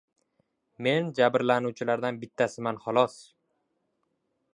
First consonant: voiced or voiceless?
voiced